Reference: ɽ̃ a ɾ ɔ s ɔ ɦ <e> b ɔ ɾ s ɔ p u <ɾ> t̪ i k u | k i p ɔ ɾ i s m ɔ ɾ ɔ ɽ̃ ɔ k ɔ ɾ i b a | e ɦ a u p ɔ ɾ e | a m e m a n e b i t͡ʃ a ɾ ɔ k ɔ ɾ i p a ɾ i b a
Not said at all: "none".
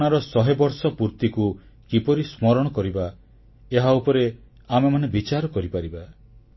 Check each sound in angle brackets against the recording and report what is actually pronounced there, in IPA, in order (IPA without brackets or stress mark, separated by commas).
e, ɾ